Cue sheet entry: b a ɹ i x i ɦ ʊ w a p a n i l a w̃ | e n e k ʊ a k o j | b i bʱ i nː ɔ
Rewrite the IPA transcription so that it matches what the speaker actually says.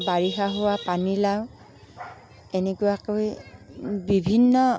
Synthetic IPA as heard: b a ɹ i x a ɦ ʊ w a p a n i l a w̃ | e n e k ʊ a k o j | b i bʱ i nː ɔ